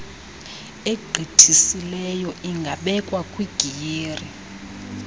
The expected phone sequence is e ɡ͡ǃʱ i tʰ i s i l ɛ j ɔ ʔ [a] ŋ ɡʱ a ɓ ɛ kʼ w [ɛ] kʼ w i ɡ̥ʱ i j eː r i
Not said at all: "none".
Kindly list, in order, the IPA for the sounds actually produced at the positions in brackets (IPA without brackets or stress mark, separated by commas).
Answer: i, a